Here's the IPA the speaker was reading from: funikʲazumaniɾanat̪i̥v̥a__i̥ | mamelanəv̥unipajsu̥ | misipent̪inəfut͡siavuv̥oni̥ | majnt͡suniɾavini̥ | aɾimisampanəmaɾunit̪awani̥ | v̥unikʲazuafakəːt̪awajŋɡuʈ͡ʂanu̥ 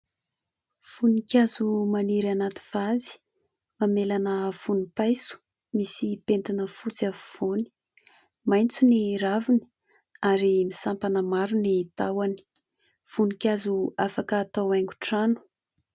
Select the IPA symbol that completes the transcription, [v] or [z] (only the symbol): z